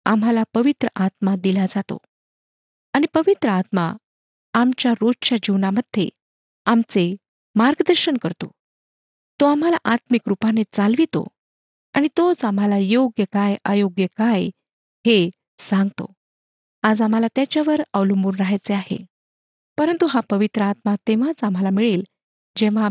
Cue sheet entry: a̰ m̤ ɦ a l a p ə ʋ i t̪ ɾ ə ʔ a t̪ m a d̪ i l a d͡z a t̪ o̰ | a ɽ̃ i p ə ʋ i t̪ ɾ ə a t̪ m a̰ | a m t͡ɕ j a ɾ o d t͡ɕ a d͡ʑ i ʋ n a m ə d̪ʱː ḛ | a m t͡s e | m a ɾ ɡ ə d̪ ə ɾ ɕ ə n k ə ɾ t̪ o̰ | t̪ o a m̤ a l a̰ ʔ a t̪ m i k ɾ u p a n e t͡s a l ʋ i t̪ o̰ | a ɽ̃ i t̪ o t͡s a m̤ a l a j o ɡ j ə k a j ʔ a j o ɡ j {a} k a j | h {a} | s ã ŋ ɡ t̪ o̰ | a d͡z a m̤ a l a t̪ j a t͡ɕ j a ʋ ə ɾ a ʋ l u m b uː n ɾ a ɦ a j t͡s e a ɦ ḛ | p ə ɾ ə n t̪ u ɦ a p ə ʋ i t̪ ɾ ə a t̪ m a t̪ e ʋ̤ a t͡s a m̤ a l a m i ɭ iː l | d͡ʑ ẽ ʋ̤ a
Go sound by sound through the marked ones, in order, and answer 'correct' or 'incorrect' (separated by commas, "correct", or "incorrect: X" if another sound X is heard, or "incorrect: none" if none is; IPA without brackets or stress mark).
incorrect: ə, incorrect: e